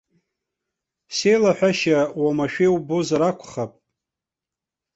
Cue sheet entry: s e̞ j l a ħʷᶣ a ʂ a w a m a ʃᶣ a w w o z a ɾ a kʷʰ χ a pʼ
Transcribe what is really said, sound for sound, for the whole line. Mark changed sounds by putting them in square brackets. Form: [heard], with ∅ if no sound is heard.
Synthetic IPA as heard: s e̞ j l a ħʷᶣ a [ʃ] a w a m a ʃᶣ [e] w [b] o z a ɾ a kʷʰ χ a pʼ

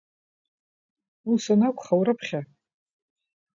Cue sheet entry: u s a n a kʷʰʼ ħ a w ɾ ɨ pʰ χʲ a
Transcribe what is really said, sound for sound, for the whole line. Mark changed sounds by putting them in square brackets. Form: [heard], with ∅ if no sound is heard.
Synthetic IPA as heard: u s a n a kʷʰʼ [χ] a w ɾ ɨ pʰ χʲ a

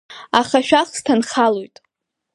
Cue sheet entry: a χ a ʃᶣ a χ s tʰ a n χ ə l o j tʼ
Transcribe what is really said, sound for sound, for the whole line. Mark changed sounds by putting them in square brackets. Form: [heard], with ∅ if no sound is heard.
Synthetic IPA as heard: a χ a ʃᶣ a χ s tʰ a n χ [a] l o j tʼ

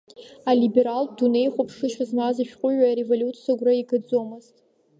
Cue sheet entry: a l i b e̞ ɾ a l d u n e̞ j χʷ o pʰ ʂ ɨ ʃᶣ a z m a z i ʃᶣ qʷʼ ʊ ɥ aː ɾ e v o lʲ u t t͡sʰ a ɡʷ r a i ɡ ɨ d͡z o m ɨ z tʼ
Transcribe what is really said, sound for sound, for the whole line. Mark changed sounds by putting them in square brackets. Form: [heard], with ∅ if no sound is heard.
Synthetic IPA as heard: a l i b e̞ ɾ a l d u n e̞ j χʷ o pʰ ʂ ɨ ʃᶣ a z m a z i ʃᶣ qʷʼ ʊ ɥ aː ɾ e v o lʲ u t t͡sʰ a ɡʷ r a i ɡ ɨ d͡z o m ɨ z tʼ

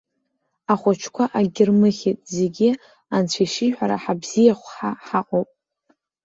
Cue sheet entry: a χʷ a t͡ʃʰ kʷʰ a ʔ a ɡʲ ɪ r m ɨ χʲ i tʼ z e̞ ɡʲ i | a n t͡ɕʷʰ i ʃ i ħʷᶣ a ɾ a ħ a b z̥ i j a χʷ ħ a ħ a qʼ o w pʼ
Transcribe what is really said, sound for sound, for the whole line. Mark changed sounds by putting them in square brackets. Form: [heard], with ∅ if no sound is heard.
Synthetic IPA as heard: a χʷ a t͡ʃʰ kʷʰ a ʔ a ɡʲ ɪ r m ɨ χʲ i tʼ z e̞ ɡʲ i | a n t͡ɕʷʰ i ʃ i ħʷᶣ a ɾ a ħ a b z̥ i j a χʷ ħ a ħ a qʼ o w pʼ

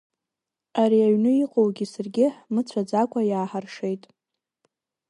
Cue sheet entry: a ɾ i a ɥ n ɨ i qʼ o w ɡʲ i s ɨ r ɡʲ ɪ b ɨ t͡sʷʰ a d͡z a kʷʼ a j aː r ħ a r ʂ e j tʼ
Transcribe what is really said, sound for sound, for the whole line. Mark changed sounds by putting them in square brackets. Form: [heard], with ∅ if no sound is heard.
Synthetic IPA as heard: a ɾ i a ɥ n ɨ i qʼ o w ɡʲ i s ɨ r ɡʲ ɪ [m] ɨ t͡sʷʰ a d͡z a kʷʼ a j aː [∅] ħ a r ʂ e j tʼ

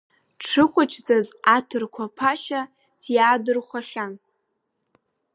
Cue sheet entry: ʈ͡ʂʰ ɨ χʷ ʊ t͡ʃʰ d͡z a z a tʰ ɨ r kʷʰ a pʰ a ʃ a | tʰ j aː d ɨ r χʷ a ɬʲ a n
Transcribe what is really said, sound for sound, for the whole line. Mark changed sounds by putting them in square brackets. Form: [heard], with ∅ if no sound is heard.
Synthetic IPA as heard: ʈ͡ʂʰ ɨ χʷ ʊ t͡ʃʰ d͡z a z a tʰ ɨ r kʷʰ a pʰ a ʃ a | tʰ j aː d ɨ r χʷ a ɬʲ a n

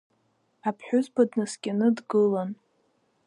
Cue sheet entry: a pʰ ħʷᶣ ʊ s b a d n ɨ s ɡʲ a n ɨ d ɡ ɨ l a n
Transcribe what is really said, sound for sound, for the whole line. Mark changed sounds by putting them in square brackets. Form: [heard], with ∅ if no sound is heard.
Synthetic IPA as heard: a pʰ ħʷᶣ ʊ [z] b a d n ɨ s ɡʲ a n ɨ d ɡ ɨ l a n

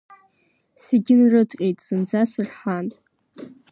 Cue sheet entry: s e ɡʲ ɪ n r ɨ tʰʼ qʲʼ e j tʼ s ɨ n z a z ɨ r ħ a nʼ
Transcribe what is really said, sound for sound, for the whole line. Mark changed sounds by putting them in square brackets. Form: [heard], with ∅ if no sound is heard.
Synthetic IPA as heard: s e ɡʲ ɪ n r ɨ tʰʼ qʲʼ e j tʼ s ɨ n [d͡z] a [s] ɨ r ħ a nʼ

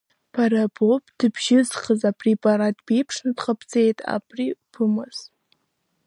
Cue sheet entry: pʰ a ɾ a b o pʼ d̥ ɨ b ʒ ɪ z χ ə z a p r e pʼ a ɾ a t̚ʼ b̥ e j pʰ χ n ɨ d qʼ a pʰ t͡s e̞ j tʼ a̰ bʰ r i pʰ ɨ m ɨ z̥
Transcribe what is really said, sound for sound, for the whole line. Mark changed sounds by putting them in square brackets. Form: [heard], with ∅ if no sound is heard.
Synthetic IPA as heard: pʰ a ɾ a b o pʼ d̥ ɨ b ʒ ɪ z χ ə z a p r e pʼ a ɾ a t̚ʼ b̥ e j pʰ [ʂ] n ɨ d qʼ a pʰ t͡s e̞ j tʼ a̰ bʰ r i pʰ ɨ m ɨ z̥

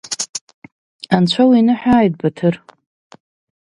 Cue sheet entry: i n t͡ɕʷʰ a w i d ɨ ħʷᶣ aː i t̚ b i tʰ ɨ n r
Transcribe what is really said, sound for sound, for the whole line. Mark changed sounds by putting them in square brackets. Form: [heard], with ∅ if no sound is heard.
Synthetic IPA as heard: [a] n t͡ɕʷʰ a w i [n] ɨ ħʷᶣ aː [j] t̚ b [a] tʰ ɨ [∅] r

